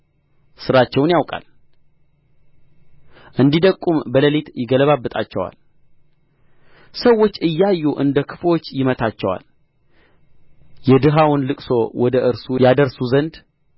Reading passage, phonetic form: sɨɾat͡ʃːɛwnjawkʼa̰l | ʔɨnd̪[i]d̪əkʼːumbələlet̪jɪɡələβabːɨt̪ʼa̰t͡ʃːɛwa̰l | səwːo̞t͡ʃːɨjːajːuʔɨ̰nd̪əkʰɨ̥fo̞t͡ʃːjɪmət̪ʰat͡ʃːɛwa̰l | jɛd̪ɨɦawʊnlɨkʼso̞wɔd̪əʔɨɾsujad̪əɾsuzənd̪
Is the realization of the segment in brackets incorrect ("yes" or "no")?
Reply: no